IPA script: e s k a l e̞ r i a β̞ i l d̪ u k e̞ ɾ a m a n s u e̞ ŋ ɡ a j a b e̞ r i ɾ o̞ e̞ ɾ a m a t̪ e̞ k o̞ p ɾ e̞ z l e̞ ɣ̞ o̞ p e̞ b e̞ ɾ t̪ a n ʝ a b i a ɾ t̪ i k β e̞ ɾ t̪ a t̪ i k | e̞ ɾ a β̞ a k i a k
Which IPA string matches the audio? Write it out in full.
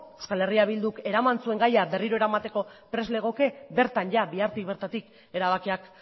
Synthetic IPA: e s k a l e̞ r i a β̞ i l d̪ u k e̞ ɾ a m a n s u e̞ ŋ ɡ a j a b e̞ r i ɾ o̞ e̞ ɾ a m a t̪ e̞ k o̞ p ɾ e̞ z l e̞ ɣ̞ o̞ k e̞ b e̞ ɾ t̪ a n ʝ a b i a ɾ t̪ i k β e̞ ɾ t̪ a t̪ i k | e̞ ɾ a β̞ a k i a k